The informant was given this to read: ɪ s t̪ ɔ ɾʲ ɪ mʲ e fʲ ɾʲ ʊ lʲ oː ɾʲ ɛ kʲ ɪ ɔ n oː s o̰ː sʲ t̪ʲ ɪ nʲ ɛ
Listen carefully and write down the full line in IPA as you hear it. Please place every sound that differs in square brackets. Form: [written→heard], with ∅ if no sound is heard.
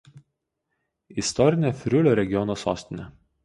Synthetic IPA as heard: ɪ s t̪ ɔ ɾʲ ɪ [mʲ→nʲ] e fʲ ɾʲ ʊ lʲ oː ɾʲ ɛ [kʲ→ɡʲ] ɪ ɔ n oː s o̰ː sʲ t̪ʲ ɪ nʲ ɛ

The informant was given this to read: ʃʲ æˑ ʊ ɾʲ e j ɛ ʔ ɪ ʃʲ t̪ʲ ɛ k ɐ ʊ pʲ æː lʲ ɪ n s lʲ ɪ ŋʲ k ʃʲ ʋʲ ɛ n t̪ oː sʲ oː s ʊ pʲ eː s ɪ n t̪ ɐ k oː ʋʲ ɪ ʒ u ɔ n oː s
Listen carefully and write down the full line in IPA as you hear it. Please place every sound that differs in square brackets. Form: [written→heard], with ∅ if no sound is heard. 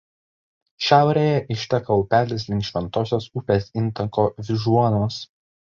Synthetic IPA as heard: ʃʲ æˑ ʊ ɾʲ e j ɛ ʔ ɪ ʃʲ t̪ʲ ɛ k ɐ ʊ pʲ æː lʲ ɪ [n→∅] s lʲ ɪ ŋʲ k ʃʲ ʋʲ ɛ n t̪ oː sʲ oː s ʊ pʲ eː s ɪ n t̪ ɐ k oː ʋʲ ɪ ʒ u ɔ n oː s

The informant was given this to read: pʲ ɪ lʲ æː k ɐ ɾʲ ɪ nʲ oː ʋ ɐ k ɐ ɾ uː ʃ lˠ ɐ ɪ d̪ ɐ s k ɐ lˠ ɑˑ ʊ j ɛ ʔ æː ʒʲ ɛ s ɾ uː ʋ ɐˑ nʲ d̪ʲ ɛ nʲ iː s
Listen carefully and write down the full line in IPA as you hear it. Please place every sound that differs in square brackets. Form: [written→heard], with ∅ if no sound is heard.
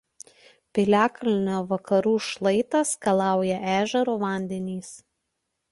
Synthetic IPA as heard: pʲ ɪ lʲ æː k ɐ [ɾʲ→lʲ] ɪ nʲ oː ʋ ɐ k ɐ ɾ uː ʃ lˠ ɐ ɪ [d̪→t̪] ɐ s k ɐ lˠ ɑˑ ʊ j ɛ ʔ æː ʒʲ ɛ [s→∅] ɾ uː ʋ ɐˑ nʲ d̪ʲ ɛ nʲ iː s

